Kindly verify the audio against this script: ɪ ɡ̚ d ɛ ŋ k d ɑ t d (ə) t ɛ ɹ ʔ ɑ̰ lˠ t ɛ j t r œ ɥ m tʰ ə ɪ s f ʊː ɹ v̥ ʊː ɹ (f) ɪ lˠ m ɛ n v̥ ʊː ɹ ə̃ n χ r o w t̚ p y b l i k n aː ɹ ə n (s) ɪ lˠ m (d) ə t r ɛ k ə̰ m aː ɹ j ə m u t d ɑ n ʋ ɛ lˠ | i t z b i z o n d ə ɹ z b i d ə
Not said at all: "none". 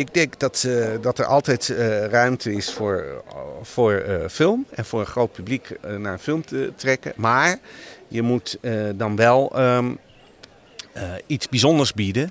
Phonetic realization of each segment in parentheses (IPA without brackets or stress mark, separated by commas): ɑ, f, f, t